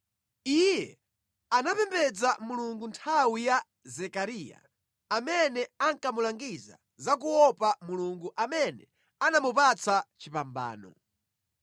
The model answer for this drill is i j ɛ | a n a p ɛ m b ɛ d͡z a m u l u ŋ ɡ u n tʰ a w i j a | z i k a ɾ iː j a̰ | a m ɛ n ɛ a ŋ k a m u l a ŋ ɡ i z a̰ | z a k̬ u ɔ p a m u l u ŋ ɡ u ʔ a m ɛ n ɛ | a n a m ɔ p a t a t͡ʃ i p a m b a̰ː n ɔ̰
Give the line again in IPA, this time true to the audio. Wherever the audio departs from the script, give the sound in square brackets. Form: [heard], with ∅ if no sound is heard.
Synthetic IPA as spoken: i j ɛ | a n a p ɛ m b ɛ d͡z a m u l u ŋ ɡ u n tʰ a w i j a | z [ɛ] k a ɾ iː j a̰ | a m ɛ n ɛ a ŋ k a m u l a ŋ ɡ i z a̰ | z a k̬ u ɔ p a m u l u ŋ ɡ u ʔ a m ɛ n ɛ | a n a m [u] p a [t͡s] a t͡ʃ i p a m b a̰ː n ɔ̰

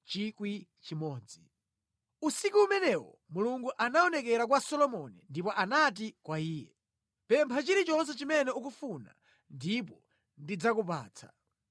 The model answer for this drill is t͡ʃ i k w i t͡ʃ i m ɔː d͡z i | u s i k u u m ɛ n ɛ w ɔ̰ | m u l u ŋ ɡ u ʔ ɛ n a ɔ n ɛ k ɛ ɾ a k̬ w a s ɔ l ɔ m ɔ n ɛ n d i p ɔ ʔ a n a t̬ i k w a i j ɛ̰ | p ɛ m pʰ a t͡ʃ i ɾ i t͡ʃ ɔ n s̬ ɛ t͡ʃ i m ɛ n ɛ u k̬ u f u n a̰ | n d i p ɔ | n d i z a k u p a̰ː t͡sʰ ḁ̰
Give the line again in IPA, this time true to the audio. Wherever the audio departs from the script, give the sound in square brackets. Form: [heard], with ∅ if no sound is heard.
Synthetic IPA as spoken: t͡ʃ i k w i t͡ʃ i m ɔː d͡z i | u s i k u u m ɛ n ɛ w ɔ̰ | m u l u ŋ ɡ u ʔ [a] n a ɔ n ɛ k ɛ ɾ a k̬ w a s ɔ l ɔ m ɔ n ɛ n d i p ɔ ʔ a n a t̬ i k w a [iː] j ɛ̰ | p ɛ m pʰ a t͡ʃ i ɾ i t͡ʃ ɔ n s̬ ɛ t͡ʃ i m ɛ n ɛ u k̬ u f u n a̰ | n d i p ɔ | n d i [d͡z] a k u p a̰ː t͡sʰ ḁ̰

